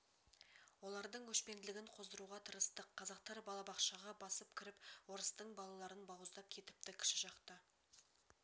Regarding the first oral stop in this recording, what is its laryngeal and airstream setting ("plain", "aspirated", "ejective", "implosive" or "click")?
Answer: plain